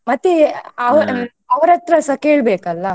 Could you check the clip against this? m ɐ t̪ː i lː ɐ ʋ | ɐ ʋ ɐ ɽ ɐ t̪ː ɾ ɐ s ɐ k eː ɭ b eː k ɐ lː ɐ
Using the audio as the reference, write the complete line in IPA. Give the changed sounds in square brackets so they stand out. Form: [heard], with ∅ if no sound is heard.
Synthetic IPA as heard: m ɐ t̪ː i [∅] ɐ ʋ | ɐ ʋ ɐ [ɾ] ɐ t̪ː ɾ ɐ s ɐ k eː ɭ b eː k ɐ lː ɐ